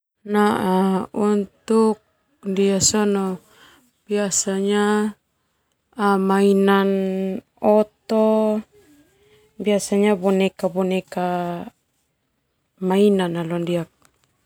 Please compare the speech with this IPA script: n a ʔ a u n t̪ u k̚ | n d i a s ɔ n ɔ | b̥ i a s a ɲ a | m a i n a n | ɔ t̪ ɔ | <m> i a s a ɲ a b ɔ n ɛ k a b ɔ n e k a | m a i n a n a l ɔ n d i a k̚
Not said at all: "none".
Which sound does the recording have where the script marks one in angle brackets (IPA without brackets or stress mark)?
b